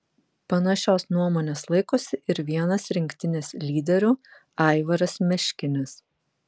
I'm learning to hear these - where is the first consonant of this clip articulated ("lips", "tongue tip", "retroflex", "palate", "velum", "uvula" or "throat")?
lips